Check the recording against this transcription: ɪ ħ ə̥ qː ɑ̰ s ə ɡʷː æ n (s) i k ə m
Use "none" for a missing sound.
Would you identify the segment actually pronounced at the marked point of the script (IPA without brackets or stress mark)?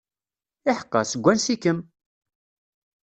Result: s